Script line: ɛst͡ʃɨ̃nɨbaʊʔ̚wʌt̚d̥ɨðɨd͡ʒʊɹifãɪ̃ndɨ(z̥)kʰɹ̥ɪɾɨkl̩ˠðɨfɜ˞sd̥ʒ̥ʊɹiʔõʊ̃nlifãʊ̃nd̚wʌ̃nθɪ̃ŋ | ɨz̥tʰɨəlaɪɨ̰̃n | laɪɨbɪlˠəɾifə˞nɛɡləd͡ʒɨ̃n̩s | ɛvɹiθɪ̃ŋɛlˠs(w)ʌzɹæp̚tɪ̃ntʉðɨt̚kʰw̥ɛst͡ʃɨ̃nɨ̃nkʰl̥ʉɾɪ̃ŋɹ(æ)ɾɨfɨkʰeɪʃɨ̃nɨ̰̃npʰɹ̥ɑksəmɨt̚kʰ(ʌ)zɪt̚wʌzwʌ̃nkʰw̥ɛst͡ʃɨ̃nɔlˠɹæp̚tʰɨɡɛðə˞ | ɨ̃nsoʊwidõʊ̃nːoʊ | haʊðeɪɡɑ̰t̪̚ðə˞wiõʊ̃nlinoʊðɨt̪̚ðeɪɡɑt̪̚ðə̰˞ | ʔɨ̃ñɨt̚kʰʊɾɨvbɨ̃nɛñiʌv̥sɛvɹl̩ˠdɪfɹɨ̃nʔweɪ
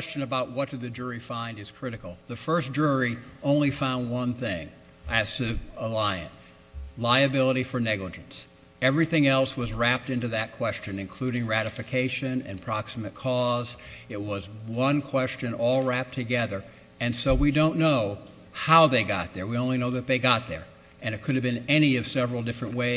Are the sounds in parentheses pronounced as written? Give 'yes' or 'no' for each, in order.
yes, yes, yes, no

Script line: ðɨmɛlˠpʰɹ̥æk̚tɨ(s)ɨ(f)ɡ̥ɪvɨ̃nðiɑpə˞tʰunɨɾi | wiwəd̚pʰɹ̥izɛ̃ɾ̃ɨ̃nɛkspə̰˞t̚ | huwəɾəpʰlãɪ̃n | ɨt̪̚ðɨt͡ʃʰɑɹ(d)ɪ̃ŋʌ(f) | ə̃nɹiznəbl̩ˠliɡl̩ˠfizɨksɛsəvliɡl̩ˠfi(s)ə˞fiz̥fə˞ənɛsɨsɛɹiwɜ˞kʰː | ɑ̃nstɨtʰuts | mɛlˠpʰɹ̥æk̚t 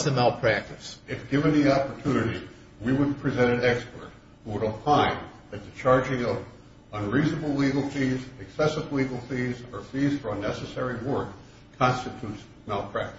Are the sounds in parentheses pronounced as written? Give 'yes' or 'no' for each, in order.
yes, yes, no, no, no

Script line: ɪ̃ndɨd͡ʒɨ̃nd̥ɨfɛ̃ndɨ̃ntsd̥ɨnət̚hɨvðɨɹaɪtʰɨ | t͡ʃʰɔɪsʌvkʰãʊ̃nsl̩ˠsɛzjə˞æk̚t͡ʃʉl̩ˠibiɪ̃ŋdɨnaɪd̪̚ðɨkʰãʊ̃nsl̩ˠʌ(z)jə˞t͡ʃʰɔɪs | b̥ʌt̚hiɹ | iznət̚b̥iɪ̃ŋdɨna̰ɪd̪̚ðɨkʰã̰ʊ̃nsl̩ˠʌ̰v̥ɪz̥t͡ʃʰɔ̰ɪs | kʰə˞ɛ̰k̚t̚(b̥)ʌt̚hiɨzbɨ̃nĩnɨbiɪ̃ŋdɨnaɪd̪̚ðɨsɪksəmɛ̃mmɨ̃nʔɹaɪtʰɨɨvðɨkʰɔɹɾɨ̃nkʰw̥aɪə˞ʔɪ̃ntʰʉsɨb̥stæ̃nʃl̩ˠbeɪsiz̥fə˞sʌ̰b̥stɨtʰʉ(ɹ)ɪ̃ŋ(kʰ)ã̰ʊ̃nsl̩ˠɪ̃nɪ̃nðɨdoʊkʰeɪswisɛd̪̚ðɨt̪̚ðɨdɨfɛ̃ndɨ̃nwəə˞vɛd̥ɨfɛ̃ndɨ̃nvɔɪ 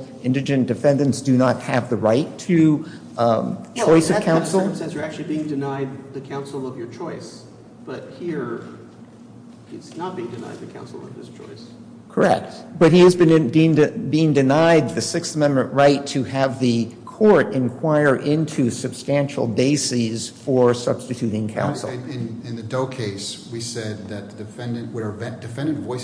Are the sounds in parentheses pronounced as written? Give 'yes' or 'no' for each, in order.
no, yes, no, yes

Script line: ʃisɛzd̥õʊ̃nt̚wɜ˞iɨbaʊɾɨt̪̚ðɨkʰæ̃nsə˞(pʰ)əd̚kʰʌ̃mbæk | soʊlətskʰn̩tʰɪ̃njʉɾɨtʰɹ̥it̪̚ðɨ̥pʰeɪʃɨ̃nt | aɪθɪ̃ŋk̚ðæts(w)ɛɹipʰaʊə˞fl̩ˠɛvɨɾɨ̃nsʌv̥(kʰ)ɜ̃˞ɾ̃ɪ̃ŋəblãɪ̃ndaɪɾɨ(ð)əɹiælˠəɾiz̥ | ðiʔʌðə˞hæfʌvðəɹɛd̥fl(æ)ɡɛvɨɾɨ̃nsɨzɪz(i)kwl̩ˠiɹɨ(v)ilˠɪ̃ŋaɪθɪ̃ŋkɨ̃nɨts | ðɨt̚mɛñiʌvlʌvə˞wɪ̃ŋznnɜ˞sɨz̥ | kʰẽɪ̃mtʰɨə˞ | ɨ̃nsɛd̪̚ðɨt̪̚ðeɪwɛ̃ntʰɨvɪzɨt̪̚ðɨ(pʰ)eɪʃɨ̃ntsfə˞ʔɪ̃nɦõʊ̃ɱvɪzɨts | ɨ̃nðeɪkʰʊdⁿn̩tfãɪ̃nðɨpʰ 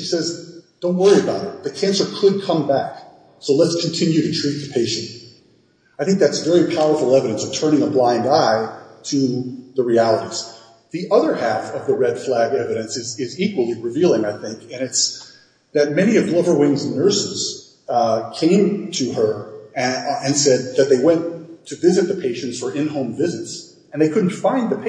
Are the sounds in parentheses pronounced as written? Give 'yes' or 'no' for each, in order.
no, no, no, yes, yes, yes, yes, yes

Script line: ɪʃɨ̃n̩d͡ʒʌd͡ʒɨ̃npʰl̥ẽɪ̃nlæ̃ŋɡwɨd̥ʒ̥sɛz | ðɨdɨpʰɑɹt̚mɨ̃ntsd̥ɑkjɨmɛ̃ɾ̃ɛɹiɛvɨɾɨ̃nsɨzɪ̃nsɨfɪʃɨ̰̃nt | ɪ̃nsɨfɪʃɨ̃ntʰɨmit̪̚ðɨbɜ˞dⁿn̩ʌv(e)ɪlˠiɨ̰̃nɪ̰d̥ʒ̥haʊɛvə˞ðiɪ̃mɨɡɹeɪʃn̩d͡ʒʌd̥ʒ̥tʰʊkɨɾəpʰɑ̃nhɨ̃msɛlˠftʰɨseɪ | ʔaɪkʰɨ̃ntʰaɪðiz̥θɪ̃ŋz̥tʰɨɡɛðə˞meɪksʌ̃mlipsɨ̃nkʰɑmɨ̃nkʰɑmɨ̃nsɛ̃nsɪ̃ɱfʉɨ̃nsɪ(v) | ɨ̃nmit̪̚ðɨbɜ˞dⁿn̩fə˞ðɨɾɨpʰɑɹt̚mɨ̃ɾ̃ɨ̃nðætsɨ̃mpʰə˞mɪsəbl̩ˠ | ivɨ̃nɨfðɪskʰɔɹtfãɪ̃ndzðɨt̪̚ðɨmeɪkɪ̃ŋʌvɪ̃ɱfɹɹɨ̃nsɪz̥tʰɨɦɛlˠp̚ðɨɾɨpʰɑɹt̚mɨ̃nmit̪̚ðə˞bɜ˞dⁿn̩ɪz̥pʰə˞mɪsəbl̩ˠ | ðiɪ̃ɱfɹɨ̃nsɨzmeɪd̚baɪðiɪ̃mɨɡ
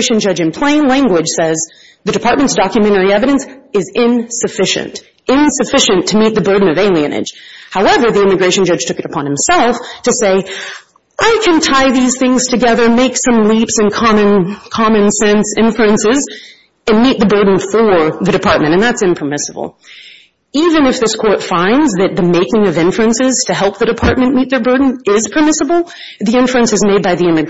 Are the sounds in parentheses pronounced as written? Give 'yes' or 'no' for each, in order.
yes, no

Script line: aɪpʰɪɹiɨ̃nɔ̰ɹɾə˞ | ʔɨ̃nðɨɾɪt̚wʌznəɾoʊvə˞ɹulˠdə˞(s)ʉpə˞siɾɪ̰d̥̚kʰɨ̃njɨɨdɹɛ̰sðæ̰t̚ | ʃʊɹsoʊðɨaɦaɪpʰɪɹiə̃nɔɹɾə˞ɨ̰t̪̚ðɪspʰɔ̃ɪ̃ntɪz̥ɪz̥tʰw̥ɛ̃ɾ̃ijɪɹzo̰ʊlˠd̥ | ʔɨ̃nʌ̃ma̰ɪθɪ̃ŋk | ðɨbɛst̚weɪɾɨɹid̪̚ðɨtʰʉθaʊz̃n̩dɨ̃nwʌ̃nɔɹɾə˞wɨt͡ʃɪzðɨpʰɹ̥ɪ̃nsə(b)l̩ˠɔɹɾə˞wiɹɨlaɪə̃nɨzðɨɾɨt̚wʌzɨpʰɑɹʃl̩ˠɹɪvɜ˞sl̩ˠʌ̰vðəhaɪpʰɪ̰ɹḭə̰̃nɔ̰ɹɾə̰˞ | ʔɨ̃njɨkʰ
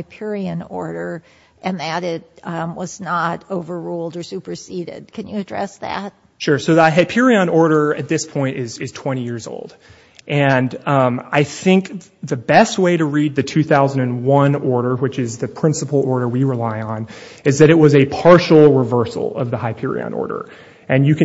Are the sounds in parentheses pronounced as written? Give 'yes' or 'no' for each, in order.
yes, no

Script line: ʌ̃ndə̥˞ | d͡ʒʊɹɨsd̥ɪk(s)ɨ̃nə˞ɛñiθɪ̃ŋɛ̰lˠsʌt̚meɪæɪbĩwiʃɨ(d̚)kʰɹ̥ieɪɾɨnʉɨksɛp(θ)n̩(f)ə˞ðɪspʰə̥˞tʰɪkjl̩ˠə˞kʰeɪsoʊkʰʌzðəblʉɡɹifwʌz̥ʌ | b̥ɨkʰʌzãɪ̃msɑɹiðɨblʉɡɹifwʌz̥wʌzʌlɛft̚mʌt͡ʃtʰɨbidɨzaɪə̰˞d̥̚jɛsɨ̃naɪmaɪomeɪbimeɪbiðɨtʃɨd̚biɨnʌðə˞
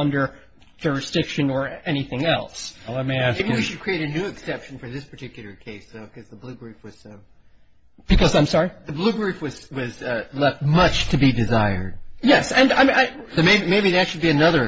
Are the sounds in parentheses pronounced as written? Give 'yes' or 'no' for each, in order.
no, yes, no, yes

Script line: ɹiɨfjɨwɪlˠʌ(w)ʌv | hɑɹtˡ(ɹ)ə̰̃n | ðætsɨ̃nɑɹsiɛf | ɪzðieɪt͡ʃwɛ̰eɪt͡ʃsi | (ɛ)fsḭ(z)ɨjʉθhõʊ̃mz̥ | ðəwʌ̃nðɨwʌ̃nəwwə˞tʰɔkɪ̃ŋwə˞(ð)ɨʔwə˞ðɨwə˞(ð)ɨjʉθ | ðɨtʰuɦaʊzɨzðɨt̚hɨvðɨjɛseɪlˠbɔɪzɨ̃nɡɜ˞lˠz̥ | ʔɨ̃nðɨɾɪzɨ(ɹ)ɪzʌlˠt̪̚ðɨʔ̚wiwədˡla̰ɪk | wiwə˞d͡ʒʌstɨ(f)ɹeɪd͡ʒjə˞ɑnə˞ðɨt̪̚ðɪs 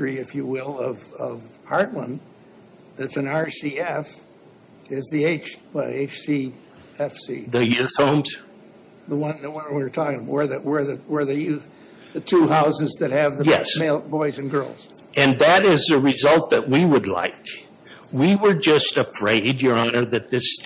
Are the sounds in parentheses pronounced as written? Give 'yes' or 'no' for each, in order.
no, no, yes, no, yes, yes, yes, yes

